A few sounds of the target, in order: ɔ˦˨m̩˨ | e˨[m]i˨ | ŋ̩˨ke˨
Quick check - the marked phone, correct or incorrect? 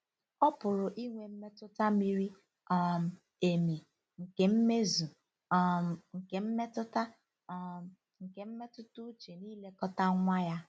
correct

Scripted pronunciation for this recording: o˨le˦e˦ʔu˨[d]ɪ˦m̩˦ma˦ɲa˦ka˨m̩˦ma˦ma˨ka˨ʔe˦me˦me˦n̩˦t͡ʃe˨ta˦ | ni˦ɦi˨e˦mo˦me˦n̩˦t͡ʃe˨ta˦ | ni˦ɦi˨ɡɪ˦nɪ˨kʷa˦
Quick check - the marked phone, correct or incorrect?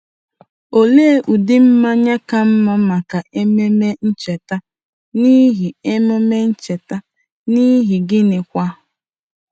correct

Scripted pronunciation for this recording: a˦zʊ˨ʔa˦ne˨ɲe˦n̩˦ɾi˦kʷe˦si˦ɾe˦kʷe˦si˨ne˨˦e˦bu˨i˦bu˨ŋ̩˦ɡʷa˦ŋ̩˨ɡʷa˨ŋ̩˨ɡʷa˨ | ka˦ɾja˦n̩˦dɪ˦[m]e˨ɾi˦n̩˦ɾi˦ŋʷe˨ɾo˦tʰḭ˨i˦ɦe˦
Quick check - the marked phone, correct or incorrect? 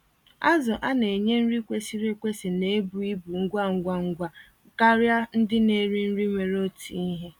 incorrect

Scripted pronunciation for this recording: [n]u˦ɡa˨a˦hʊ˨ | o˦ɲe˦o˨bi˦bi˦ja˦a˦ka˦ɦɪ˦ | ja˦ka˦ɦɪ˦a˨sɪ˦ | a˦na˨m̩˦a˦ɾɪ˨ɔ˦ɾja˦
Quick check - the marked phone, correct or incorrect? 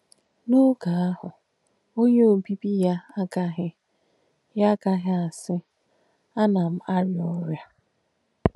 correct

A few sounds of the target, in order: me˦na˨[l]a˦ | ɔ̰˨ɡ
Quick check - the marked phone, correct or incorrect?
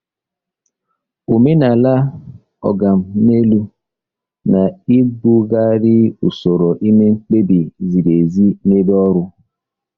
correct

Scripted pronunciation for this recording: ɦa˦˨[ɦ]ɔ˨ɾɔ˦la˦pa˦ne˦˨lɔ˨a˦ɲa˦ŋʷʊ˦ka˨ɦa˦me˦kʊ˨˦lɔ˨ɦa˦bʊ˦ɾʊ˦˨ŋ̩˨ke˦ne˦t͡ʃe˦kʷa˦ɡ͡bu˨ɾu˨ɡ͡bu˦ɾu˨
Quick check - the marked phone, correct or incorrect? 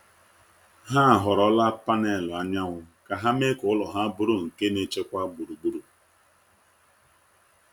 correct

